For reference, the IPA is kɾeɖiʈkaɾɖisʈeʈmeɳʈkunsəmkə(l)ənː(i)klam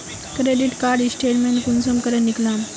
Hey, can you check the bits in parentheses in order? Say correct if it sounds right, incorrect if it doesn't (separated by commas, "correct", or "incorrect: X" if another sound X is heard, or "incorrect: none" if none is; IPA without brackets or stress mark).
incorrect: ɾ, correct